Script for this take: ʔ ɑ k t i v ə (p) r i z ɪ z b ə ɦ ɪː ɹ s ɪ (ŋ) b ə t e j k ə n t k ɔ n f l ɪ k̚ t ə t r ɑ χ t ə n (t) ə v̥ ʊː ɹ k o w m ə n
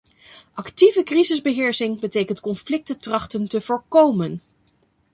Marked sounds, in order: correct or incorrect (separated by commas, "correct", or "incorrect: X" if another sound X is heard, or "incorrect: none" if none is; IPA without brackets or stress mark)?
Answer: incorrect: k, correct, correct